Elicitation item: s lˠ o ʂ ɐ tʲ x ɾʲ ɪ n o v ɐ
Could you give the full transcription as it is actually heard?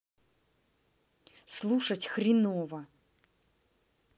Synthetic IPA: s lˠ u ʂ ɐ tʲ x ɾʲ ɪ n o v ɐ